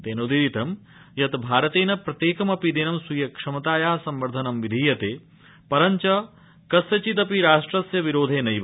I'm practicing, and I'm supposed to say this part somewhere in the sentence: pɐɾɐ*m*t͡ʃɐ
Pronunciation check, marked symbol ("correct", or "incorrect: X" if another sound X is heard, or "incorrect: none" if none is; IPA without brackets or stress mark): incorrect: ɲ